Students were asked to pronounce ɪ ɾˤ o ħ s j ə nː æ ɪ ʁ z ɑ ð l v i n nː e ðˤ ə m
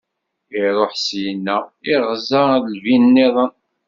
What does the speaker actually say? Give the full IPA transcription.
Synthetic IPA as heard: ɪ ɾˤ o ħ s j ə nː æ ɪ ʁ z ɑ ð l v i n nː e ðˤ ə n